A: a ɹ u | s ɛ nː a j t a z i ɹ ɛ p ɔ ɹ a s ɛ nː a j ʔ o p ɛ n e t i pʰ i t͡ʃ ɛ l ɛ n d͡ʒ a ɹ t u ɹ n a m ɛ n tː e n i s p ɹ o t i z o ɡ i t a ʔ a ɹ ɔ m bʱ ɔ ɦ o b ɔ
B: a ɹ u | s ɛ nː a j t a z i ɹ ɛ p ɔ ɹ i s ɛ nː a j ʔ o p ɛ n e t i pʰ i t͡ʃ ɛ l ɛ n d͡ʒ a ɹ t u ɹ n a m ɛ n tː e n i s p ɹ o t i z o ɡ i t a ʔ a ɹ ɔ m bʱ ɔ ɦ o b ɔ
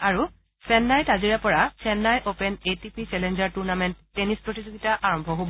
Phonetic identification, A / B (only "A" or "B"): A